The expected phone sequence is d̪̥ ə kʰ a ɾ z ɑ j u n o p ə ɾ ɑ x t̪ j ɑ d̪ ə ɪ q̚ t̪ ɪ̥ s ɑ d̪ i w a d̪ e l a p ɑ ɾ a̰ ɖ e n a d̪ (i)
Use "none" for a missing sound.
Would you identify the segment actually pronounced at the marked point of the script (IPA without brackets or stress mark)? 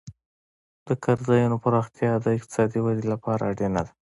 a